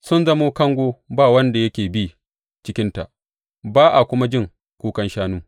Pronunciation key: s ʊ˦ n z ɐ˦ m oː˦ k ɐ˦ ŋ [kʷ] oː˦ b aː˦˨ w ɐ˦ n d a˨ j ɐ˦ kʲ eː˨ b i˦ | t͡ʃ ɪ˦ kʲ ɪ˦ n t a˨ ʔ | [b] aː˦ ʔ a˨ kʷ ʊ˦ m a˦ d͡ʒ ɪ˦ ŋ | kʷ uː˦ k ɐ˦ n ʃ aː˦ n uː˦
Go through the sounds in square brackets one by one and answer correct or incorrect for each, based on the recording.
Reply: incorrect: ɡʷ, correct

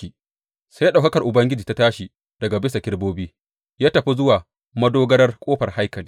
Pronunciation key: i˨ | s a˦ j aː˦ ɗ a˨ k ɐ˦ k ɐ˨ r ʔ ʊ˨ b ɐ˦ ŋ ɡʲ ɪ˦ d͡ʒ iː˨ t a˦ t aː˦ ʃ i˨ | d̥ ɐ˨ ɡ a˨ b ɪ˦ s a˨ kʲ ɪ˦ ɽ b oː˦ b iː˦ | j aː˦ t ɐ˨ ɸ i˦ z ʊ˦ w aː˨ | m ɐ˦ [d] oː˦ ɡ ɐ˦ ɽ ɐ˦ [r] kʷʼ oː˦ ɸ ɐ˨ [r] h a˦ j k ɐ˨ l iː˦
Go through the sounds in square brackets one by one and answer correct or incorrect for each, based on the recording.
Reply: correct, correct, correct

